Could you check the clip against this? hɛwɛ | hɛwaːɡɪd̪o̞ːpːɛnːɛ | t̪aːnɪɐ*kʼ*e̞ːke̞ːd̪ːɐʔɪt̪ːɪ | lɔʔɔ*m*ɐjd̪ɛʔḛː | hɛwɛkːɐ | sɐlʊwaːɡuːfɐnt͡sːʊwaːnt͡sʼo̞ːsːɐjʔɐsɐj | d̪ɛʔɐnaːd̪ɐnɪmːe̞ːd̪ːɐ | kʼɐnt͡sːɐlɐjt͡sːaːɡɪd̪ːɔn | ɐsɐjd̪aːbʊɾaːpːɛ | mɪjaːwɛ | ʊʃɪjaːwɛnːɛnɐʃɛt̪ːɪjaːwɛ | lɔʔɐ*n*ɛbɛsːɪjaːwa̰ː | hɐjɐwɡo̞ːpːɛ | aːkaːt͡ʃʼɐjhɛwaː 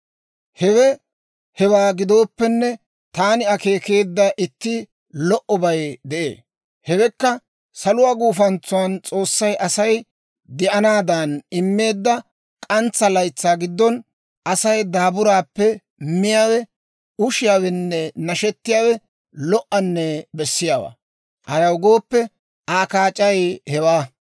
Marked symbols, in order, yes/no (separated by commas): no, no, no